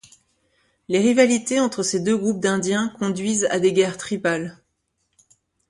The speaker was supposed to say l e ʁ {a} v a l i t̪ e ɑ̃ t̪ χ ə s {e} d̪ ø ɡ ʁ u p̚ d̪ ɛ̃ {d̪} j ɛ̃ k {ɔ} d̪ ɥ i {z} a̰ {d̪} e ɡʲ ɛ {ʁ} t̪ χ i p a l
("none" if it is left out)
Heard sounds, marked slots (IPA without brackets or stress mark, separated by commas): i, e, d̪, ɔ̃, z, d̪, ʁ